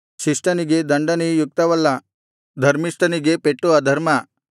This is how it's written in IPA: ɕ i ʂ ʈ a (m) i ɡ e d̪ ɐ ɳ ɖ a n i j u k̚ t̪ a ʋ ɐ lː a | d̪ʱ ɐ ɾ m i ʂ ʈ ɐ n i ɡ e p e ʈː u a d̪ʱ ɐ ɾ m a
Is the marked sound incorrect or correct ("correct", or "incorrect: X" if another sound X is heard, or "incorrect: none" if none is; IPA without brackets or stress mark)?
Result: incorrect: n